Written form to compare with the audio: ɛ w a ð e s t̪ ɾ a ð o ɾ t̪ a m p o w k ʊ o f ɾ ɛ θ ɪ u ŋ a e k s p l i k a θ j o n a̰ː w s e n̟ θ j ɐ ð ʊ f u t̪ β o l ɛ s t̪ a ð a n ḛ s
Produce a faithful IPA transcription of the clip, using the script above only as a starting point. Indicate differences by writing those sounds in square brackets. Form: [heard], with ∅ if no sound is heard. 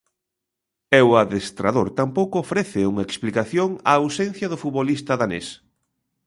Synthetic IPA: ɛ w a ð e s t̪ ɾ a ð o ɾ t̪ a m p o w k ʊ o f ɾ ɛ θ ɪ u ŋ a e k s p l i k a θ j o [ŋ] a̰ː w s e n̟ θ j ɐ ð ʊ f u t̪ β o l [i] s t̪ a ð a n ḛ s